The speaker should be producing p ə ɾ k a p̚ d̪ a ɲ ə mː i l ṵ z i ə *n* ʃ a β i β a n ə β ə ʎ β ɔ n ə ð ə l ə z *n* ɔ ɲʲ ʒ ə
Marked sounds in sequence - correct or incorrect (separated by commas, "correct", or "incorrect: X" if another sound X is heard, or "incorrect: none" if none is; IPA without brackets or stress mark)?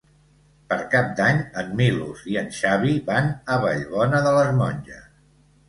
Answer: correct, incorrect: m